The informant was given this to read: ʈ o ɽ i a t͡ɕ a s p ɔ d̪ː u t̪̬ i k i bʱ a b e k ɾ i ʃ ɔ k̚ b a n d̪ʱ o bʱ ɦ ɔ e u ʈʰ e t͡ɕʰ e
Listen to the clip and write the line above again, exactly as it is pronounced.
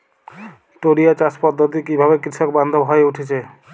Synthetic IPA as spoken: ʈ o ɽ i a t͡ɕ a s p ɔ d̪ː o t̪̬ i k i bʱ a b e k ɾ i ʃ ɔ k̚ b a n d̪ʱ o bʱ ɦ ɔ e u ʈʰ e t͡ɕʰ e